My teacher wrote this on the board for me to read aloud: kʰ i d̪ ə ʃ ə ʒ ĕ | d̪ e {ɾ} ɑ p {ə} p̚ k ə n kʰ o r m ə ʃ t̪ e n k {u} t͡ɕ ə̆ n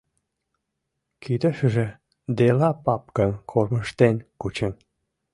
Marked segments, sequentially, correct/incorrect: incorrect: l, incorrect: ɑ, correct

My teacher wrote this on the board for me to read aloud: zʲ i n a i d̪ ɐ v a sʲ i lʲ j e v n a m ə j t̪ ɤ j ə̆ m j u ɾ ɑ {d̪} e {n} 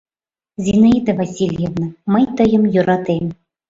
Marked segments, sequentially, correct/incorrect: incorrect: t̪, incorrect: m

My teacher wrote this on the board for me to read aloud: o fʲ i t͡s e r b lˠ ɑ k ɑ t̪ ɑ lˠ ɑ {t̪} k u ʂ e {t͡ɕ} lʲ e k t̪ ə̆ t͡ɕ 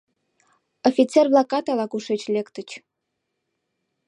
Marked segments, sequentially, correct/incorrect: incorrect: none, correct

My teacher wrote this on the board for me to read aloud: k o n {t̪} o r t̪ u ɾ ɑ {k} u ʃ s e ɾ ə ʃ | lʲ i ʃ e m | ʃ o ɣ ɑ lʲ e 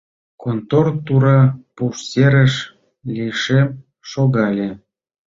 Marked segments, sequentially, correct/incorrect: correct, incorrect: p

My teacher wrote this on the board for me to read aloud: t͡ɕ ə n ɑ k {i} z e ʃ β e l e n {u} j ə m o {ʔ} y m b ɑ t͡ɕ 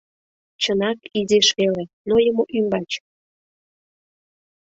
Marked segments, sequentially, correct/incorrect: correct, incorrect: o, correct

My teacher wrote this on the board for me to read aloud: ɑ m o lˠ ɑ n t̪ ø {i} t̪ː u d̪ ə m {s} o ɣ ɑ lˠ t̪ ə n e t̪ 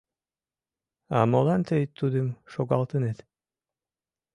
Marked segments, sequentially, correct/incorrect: incorrect: j, incorrect: ʃ

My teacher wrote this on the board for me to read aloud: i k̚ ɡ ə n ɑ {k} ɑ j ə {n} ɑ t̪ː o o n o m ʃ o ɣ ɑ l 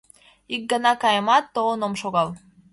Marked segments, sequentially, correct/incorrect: correct, incorrect: m

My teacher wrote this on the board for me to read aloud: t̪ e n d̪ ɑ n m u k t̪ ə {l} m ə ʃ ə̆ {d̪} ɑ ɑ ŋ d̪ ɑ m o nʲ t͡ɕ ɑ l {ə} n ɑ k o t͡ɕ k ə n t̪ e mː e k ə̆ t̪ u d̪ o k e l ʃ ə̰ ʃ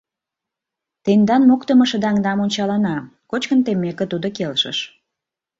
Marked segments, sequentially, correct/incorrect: incorrect: none, correct, incorrect: ɑ

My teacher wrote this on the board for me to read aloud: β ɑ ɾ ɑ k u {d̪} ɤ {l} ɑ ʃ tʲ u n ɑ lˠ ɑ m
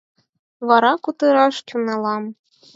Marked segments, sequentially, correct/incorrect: incorrect: t̪, incorrect: ɾ

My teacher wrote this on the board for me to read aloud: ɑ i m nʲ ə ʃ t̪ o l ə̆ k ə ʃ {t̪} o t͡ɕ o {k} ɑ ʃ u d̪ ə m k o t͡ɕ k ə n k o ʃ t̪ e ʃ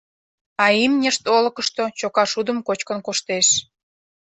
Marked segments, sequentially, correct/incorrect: correct, correct

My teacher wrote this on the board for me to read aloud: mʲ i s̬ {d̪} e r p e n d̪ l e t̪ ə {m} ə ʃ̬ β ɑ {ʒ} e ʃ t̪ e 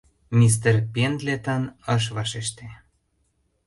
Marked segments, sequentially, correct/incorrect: incorrect: t̪, incorrect: n, incorrect: ʃ

